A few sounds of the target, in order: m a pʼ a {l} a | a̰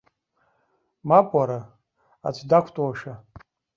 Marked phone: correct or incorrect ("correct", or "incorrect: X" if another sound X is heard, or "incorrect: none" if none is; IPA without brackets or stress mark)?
incorrect: ɾ